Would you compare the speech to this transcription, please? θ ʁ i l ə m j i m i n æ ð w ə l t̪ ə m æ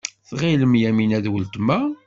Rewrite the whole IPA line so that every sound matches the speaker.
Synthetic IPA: θ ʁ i l ə m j æ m i n æ ð w ə l t̪ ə m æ

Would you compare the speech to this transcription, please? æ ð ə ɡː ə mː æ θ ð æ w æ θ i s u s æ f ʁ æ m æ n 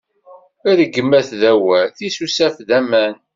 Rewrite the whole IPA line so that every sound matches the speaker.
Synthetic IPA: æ ð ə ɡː ə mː æ θ ð æ w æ θ i s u s æ f ð æ m æ n

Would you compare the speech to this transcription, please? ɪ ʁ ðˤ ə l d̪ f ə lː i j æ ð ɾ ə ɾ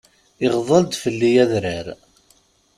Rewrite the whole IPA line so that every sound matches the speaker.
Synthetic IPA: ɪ ʁ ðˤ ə l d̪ f ə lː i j æ ð ɾ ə ɾ

